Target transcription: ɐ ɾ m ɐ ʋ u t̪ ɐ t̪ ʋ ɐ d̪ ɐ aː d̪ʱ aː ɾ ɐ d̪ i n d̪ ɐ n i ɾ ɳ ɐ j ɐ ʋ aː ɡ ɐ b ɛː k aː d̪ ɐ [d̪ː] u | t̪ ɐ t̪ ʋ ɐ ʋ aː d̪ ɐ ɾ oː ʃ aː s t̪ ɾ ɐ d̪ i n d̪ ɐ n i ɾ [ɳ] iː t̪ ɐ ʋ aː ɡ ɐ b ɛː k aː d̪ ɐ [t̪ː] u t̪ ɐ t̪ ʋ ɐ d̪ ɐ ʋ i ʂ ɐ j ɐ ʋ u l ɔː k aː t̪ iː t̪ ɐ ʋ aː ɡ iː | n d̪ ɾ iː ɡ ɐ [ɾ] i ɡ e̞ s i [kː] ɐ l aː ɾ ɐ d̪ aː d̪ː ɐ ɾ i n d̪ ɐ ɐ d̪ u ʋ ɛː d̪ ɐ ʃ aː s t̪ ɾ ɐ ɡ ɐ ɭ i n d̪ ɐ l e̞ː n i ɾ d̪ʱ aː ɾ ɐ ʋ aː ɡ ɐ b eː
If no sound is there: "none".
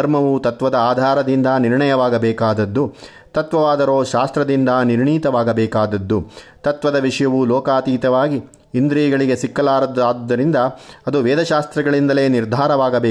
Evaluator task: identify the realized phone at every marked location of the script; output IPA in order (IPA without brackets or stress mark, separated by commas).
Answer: d̪ː, ɳ, d̪ː, ɭ, kː